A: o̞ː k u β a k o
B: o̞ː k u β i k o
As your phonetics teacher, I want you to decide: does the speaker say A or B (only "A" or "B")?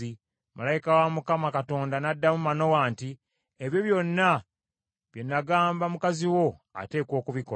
B